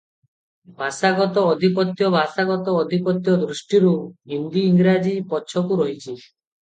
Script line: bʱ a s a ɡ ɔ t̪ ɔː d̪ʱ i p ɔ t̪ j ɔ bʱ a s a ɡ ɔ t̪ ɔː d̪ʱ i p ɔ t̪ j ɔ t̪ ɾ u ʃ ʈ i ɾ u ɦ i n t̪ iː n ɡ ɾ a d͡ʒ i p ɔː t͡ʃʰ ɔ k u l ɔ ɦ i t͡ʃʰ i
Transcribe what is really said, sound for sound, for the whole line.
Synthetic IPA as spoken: bʱ a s a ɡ ɔ t̪ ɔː d̪ʱ i p ɔ t̪ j ɔ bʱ a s a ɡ ɔ t̪ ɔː d̪ʱ i p ɔ t̪ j ɔ d̪ ɾ u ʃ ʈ i ɾ u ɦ i n d̪ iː ŋ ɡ ɾ a d͡ʒ i p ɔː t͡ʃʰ ɔ k u ɾ ɔ ɦ i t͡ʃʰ i